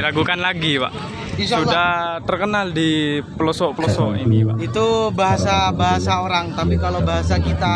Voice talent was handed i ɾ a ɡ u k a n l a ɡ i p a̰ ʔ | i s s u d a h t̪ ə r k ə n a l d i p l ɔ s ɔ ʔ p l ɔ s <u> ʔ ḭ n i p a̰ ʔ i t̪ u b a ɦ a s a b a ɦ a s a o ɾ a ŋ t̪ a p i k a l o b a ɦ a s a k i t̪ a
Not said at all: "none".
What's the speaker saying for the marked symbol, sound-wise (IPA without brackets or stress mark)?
ɔ